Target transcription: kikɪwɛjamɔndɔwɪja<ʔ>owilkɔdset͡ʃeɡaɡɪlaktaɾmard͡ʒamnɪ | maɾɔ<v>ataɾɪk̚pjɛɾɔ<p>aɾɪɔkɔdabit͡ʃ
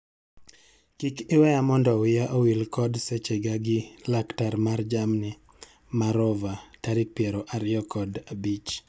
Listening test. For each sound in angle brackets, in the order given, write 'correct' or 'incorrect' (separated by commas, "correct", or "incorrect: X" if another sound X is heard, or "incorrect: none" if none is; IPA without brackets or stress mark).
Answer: correct, correct, incorrect: ʔ